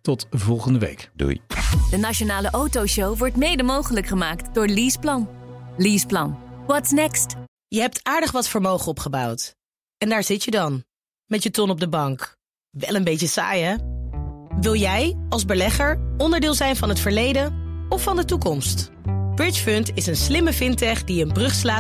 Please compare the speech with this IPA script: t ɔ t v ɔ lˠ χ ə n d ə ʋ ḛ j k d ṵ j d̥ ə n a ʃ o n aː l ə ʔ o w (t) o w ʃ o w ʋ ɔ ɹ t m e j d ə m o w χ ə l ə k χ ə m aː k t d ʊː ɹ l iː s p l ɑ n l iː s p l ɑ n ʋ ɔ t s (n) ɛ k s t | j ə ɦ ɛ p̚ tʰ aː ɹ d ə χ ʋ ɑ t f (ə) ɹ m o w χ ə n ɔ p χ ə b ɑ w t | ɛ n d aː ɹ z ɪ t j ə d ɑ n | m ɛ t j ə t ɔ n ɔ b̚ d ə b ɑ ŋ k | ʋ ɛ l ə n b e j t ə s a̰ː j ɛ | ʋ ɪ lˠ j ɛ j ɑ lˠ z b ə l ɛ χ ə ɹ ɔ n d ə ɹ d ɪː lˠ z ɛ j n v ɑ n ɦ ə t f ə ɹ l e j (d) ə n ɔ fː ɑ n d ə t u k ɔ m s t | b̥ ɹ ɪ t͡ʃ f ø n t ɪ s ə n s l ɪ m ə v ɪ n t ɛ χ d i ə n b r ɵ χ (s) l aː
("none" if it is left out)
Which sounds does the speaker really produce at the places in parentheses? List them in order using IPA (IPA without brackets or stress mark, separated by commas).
t, n, ə, d, s